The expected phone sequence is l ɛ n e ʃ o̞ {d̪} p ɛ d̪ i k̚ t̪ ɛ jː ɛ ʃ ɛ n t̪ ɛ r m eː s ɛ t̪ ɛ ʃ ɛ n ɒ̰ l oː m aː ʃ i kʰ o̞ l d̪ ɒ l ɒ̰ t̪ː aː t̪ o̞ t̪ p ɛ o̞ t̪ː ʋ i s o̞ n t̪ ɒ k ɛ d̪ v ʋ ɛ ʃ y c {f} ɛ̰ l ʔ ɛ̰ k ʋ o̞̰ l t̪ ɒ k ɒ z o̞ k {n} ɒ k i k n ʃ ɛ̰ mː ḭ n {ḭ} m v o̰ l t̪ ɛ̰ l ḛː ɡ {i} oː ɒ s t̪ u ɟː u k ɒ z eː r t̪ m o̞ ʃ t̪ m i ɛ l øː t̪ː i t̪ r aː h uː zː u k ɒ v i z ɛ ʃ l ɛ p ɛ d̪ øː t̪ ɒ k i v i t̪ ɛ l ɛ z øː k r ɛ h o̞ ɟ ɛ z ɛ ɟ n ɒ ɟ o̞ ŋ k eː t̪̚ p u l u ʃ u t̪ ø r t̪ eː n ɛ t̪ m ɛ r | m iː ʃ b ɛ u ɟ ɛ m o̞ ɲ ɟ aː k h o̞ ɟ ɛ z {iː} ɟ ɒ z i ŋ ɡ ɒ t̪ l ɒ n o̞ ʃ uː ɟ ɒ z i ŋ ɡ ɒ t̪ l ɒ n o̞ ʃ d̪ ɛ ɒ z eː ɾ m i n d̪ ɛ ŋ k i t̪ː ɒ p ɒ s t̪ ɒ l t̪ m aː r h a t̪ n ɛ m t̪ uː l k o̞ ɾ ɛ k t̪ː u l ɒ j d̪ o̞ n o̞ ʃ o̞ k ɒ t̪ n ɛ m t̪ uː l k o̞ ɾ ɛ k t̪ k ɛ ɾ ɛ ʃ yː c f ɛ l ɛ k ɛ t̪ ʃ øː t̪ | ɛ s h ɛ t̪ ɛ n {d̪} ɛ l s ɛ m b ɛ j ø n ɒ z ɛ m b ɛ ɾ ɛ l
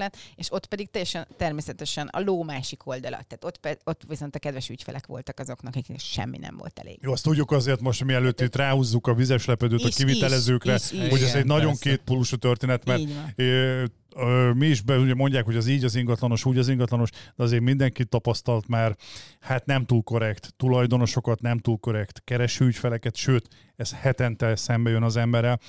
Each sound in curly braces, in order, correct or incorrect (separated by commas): incorrect, correct, correct, incorrect, incorrect, correct, incorrect